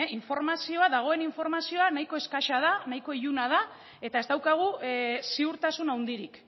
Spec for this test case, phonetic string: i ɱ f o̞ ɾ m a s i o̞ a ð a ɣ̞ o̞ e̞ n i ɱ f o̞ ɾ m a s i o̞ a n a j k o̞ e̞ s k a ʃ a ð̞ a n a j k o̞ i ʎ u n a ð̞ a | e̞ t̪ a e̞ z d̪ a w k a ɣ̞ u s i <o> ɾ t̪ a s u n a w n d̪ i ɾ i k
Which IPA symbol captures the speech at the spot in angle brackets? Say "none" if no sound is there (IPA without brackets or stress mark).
u